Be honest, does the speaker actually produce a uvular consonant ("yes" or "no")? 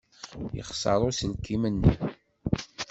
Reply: yes